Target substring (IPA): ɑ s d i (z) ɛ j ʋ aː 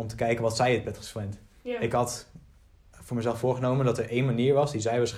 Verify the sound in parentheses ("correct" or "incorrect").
correct